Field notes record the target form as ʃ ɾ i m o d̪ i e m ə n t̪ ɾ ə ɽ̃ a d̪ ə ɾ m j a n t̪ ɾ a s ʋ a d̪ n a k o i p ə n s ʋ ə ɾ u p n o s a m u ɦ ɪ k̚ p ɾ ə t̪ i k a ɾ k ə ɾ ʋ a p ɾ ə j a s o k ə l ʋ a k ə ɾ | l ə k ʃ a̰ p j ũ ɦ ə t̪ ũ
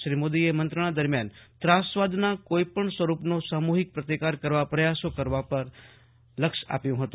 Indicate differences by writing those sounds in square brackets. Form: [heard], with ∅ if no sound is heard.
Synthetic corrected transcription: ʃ ɾ i m o d̪ i e m ə n t̪ ɾ ə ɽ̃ a d̪ ə ɾ m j a n t̪ ɾ a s ʋ a d̪ n a k o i p ə [ɳ] s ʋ ə ɾ u p n o s a m u ɦ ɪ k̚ p ɾ ə t̪ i k a ɾ k ə ɾ ʋ a p ɾ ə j a s o k ə [ɾ] ʋ a [p] ə ɾ | l ə k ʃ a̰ p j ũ ɦ ə t̪ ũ